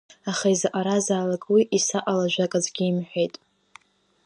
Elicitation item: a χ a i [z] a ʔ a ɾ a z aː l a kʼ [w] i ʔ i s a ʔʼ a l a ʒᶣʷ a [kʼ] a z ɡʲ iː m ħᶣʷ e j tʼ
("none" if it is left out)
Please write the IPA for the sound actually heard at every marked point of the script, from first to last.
z, w, kʼ

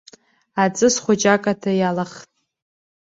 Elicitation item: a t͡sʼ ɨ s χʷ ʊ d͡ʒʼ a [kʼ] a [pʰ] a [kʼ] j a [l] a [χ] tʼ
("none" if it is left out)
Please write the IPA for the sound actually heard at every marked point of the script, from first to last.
kʼ, tʰ, none, l, χ

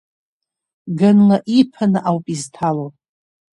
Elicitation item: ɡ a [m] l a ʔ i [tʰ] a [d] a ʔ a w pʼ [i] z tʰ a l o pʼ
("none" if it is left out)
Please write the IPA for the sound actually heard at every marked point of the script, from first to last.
n, pʰ, n, i

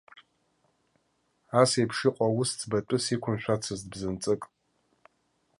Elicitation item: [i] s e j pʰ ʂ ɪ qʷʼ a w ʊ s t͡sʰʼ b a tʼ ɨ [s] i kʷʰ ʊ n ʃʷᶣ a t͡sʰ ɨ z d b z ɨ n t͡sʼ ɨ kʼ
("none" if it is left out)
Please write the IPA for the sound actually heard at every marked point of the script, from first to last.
a, s

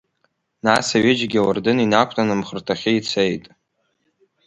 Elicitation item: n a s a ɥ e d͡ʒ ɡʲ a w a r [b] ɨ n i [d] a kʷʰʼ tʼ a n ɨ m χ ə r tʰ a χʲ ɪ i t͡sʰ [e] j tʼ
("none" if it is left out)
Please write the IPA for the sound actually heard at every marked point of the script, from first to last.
d, n, e

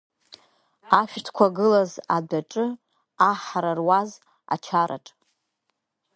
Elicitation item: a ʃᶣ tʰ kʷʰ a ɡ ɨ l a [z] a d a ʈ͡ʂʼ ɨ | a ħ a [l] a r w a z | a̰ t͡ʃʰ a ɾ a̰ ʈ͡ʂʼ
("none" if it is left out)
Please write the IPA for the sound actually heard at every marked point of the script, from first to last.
z, ɾ

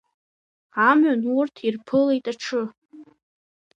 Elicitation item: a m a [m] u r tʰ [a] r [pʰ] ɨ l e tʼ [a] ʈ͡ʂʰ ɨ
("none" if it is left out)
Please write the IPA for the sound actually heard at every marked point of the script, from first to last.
n, i, pʰ, a

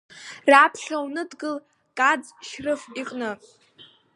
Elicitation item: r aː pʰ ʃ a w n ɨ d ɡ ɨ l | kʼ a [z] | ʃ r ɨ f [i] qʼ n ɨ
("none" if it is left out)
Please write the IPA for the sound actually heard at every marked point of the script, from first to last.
d͡z, i

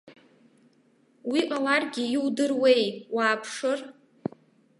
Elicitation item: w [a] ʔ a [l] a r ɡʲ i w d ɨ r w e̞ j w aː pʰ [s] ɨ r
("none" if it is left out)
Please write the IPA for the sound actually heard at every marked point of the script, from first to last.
i, l, ʂ

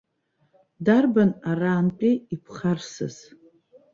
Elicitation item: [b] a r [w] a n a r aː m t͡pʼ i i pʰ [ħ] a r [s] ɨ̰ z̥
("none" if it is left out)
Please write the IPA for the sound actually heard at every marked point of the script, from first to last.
d, b, χ, s

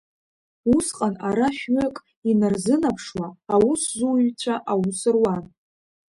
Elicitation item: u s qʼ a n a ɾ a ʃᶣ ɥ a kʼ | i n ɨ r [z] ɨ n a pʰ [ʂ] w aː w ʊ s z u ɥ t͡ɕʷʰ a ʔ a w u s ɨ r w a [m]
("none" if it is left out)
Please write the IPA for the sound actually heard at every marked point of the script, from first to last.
z, ʂ, n

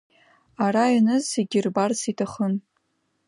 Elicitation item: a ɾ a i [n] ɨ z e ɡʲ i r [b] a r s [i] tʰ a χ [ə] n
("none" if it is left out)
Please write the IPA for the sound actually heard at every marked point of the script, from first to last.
n, b, i, ə

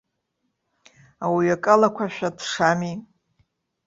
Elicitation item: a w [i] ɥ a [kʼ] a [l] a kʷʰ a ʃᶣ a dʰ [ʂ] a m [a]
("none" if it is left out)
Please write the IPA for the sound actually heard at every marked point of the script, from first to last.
i, kʼ, l, ʂ, i

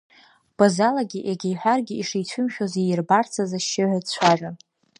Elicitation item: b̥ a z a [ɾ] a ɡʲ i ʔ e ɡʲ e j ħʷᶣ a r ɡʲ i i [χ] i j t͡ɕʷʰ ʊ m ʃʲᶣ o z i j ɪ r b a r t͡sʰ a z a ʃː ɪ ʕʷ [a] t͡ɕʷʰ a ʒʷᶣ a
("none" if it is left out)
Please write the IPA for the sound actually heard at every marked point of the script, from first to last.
l, ʂ, a

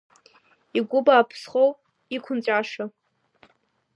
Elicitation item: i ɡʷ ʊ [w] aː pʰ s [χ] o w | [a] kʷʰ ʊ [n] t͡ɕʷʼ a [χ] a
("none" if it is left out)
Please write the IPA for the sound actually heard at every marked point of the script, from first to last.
b, χ, i, n, ʂ

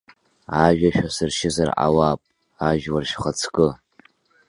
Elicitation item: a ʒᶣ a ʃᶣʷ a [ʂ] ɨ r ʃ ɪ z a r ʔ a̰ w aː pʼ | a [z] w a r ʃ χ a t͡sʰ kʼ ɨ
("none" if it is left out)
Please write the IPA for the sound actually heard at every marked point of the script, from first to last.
s, ʒ

